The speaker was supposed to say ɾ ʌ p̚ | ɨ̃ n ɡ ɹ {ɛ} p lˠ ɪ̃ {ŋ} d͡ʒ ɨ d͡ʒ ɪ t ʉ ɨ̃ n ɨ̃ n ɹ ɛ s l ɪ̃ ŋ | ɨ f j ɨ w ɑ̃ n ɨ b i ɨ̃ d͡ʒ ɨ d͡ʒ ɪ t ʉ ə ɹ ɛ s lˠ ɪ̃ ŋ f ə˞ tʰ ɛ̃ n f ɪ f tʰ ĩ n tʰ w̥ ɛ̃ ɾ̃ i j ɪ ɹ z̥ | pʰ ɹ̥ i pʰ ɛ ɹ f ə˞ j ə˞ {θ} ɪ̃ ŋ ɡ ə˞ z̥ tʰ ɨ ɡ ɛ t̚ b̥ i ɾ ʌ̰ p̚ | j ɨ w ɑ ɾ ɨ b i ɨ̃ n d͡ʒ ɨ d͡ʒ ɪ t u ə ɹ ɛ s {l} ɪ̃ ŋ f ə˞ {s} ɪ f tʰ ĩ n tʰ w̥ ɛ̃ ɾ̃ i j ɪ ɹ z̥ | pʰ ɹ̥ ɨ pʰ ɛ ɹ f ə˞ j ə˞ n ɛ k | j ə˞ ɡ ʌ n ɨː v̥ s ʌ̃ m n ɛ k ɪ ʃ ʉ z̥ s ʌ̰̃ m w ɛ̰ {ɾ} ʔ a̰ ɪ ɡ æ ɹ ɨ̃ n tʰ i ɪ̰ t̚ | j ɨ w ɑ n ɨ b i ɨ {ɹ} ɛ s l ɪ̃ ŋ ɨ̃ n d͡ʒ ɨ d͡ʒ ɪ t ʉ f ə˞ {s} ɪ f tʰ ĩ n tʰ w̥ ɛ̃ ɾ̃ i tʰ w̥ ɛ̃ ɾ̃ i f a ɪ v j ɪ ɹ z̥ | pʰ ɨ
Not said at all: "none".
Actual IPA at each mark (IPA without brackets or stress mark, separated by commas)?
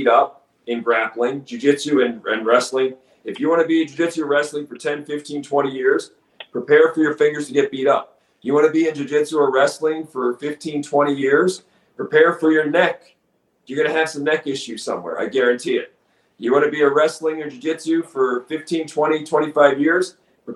æ, ŋ, f, l, f, ɹ, ɹ, f